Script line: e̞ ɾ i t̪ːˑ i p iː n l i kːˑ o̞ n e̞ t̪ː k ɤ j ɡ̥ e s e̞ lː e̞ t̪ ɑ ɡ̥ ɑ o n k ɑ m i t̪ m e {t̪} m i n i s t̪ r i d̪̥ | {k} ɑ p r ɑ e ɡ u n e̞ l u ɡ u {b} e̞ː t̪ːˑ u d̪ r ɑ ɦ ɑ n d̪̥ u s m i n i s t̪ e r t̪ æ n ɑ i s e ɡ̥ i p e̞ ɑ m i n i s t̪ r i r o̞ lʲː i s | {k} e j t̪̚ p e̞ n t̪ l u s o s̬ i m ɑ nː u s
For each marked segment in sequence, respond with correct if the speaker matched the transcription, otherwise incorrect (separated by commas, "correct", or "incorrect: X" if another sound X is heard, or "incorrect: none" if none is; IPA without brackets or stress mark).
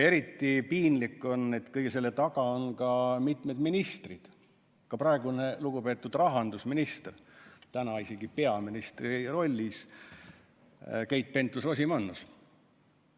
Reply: incorrect: d̪, correct, incorrect: p, correct